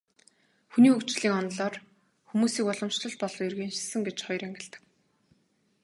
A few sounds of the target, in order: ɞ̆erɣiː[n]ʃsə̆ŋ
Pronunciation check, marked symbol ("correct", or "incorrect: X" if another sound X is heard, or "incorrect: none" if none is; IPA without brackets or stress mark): correct